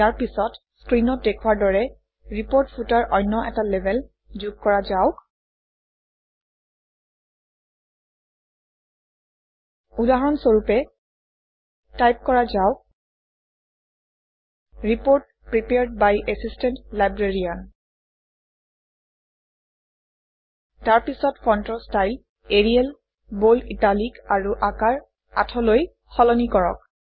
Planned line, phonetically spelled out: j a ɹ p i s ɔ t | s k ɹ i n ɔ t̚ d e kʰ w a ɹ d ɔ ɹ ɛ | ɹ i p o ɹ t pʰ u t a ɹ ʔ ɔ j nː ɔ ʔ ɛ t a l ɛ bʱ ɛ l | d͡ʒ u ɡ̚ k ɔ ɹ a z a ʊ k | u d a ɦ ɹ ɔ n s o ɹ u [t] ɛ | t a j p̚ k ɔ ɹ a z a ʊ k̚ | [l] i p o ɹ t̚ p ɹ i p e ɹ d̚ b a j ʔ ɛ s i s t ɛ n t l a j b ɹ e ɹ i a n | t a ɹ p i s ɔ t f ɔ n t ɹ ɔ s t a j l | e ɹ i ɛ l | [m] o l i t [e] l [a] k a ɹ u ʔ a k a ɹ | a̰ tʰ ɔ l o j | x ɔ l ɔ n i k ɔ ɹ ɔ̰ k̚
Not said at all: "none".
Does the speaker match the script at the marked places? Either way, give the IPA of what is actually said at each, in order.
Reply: p, ɹ, b, a, i

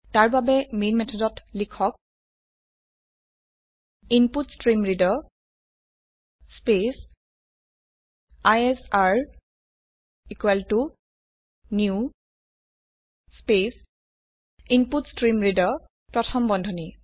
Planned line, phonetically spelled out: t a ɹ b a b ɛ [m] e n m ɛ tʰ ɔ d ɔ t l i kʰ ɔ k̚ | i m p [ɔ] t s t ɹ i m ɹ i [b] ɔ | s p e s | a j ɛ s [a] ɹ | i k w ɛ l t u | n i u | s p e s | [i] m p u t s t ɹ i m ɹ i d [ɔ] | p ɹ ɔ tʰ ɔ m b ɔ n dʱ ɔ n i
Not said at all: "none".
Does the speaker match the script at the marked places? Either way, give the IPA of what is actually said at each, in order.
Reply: m, u, d, a, i, ɔ

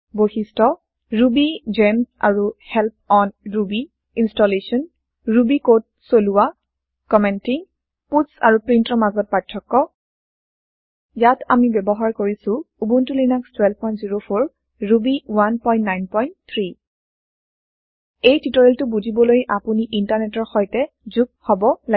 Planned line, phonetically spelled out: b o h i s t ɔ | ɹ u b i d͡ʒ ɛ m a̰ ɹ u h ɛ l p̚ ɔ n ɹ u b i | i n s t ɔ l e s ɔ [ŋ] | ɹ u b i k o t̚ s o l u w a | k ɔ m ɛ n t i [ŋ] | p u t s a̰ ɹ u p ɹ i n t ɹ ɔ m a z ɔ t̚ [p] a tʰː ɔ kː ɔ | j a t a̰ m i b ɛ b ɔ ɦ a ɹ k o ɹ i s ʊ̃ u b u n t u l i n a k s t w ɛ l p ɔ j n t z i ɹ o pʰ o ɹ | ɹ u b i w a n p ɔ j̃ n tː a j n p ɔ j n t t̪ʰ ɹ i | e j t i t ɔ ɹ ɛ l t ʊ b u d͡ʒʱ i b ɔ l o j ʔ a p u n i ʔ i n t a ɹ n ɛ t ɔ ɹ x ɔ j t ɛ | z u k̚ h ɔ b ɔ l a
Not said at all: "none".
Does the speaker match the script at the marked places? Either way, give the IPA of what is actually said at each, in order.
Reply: n, ŋ, p

